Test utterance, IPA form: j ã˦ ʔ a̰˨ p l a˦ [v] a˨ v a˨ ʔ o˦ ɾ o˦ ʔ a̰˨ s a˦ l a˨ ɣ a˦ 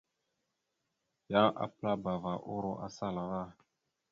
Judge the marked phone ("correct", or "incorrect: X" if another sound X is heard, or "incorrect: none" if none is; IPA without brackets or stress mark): incorrect: b